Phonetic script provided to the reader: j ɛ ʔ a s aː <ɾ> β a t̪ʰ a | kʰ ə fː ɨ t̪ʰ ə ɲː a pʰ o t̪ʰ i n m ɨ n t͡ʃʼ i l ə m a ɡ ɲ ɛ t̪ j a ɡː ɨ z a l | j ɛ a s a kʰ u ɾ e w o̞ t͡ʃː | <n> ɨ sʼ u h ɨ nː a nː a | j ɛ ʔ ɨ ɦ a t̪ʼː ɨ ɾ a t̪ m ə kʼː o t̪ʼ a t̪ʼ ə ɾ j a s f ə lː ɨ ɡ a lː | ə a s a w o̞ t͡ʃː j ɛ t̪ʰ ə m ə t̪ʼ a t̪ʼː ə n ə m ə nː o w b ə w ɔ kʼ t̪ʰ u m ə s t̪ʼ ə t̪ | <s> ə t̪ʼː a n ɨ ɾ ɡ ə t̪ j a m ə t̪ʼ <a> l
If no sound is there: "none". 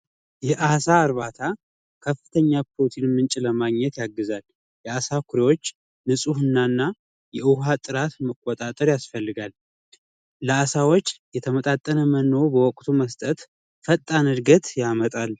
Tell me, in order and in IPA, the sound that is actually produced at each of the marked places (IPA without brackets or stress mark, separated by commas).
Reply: ɾ, n, f, a